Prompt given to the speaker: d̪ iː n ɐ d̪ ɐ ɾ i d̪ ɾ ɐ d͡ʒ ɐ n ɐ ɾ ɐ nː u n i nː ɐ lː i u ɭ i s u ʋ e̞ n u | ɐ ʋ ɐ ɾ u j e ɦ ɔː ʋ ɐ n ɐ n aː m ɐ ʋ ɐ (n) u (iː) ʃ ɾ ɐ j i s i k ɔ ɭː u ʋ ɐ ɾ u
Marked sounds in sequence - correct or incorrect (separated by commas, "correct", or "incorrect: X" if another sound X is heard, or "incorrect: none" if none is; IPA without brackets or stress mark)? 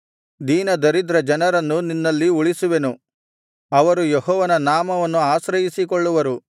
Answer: incorrect: nː, incorrect: aː